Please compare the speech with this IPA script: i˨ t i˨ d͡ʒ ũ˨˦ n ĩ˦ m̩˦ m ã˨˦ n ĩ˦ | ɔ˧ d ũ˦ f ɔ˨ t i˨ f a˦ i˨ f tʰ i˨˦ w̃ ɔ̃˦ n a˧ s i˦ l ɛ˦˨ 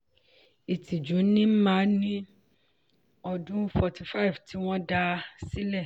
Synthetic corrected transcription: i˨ t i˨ d͡ʒ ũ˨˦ n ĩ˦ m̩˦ m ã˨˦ n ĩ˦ | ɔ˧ d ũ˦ f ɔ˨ t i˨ f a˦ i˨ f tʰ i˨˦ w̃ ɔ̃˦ d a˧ s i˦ l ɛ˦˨